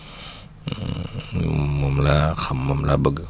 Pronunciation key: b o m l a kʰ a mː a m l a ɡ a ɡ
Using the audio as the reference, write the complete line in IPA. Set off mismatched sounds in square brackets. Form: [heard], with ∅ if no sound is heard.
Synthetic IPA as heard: [m] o m l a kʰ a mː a m l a [b] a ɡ